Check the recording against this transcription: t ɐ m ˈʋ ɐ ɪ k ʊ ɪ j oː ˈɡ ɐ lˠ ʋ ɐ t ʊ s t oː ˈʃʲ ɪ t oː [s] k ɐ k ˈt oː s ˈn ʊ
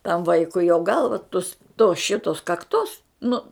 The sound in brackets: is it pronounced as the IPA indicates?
yes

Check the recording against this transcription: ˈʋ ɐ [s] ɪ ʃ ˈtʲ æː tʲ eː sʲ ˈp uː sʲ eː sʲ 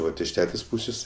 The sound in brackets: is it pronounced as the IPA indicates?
no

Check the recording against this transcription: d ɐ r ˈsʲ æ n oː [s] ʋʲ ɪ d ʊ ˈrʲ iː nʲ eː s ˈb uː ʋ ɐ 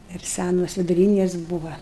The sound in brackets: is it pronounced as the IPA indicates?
yes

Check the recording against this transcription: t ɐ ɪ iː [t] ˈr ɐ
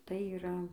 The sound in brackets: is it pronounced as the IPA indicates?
no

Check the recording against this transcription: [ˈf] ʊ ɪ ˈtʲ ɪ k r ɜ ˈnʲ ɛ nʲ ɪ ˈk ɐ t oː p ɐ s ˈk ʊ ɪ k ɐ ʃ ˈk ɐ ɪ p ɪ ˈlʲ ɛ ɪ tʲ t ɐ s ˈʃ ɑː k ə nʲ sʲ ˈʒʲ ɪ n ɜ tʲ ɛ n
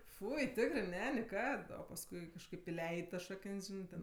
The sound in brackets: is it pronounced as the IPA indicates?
yes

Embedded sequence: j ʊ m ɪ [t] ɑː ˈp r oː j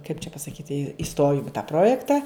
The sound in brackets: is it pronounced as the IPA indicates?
yes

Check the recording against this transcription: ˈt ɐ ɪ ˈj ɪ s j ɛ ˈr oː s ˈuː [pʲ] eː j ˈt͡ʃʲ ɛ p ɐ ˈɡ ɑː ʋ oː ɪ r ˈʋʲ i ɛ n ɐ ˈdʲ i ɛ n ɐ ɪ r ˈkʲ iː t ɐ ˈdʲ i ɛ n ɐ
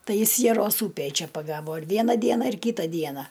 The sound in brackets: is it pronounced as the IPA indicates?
yes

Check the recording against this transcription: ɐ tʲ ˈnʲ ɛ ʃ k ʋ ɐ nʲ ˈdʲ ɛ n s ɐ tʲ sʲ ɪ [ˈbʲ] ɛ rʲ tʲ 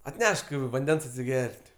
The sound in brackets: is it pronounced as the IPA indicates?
no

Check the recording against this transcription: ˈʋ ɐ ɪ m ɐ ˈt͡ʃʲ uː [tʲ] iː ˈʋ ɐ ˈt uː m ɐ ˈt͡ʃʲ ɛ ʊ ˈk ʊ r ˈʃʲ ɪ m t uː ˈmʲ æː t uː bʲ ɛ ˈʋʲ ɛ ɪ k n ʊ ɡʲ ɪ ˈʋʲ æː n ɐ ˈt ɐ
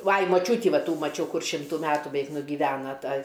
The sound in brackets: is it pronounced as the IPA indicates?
yes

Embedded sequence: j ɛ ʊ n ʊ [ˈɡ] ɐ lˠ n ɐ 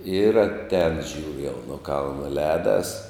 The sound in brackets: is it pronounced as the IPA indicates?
no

